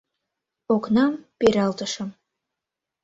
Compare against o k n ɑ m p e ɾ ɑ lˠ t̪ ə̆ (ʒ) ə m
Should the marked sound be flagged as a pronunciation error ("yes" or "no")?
yes